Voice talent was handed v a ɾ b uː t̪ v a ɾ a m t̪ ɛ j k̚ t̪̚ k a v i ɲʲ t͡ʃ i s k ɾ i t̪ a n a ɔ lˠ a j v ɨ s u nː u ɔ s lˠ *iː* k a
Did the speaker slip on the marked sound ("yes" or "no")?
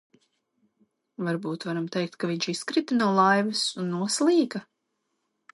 no